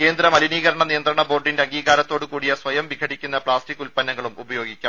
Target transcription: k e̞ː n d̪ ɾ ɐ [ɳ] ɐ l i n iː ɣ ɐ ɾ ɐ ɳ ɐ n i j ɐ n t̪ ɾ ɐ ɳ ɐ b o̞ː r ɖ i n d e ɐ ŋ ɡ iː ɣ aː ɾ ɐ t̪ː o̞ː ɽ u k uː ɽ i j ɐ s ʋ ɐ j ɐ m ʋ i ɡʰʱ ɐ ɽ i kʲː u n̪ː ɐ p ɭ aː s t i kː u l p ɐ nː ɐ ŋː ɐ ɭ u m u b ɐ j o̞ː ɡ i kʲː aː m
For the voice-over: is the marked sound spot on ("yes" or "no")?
no